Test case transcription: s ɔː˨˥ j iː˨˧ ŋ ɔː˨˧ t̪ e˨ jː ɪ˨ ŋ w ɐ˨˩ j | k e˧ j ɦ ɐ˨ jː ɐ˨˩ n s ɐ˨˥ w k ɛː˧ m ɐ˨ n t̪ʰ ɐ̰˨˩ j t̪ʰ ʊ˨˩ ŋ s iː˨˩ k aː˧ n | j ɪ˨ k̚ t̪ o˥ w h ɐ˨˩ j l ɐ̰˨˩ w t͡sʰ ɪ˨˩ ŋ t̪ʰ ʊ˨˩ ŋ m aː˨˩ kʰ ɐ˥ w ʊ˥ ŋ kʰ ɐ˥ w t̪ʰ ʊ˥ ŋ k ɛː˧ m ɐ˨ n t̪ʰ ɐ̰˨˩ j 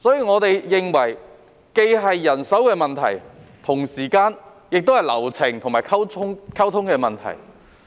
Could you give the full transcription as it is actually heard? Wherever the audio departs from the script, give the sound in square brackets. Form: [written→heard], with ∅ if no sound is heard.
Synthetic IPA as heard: s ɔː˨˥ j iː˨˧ ŋ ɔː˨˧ t̪ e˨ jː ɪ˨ ŋ w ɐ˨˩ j | k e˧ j ɦ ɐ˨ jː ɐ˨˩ n s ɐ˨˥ w k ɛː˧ m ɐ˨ n t̪ʰ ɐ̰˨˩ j t̪ʰ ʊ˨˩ ŋ s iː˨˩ k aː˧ n | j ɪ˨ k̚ t̪ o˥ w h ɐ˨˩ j l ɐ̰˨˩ w t͡sʰ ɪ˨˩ ŋ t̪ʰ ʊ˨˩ ŋ m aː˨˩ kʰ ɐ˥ w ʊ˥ ŋ kʰ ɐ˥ w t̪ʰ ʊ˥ ŋ k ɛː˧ m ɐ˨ n t̪ʰ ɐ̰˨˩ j